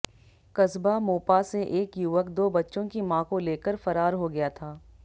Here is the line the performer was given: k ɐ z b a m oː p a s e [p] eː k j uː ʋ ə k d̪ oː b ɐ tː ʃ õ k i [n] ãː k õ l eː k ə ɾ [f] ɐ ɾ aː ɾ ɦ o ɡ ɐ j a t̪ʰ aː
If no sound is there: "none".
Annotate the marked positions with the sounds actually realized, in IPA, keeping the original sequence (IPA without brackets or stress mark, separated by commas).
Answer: ʔ, m, f